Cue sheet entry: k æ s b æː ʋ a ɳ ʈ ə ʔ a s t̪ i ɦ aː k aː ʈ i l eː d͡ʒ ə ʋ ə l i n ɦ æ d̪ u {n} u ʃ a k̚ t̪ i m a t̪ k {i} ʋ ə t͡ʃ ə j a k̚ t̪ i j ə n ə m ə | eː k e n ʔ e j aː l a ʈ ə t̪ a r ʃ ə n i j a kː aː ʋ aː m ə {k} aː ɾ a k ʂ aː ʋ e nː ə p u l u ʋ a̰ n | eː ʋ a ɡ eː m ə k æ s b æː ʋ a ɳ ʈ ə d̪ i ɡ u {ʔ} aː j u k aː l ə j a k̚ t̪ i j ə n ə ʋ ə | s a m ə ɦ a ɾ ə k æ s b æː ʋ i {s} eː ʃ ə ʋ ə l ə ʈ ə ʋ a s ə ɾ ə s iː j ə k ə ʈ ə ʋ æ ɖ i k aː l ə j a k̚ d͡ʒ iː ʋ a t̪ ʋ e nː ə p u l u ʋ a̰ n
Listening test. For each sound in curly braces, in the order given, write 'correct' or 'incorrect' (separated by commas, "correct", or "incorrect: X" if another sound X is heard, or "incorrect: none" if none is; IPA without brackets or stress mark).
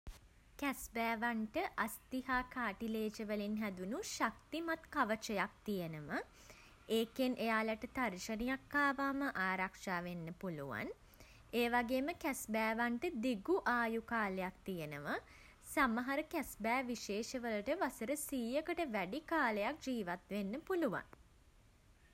correct, incorrect: a, incorrect: ʔ, correct, incorrect: ʃ